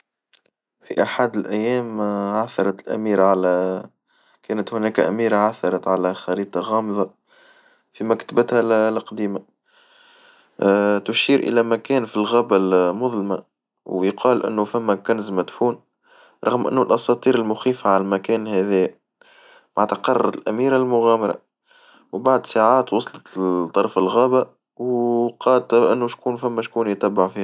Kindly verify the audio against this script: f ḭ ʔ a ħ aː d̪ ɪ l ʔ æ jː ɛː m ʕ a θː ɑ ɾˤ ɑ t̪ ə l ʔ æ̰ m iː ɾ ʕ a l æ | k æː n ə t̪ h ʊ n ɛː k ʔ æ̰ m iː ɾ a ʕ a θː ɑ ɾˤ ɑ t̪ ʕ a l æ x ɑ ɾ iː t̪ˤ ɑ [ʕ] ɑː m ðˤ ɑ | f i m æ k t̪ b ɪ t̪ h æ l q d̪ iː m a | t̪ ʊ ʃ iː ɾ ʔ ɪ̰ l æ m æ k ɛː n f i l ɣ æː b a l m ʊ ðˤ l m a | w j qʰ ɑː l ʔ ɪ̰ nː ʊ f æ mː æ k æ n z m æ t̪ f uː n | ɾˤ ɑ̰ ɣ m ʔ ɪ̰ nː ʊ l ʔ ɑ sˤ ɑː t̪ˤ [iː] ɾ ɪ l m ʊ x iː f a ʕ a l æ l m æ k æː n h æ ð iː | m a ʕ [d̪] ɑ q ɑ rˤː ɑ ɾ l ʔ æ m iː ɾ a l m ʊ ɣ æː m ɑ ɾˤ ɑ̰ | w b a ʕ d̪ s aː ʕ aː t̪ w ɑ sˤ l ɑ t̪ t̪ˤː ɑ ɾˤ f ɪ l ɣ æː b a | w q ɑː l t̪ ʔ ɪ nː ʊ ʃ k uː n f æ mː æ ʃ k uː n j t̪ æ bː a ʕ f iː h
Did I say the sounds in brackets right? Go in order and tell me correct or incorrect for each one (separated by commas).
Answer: incorrect, correct, incorrect